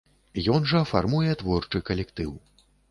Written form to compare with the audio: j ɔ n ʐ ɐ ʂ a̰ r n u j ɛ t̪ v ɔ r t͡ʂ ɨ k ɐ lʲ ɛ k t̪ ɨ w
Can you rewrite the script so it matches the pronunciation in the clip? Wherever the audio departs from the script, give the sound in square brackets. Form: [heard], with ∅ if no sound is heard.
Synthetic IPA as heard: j ɔ n ʐ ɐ [f] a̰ r [m] u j ɛ t̪ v ɔ r t͡ʂ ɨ k ɐ lʲ ɛ k t̪ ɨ w